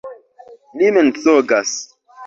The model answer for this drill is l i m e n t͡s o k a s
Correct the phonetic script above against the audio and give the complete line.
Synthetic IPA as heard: l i m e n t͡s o ɡ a s